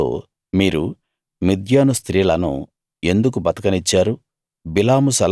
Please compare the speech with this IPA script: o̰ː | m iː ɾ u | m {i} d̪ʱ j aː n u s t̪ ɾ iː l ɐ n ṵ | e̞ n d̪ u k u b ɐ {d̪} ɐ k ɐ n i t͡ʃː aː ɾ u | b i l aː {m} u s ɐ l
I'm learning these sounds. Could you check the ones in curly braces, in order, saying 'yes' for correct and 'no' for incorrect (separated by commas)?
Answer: yes, no, yes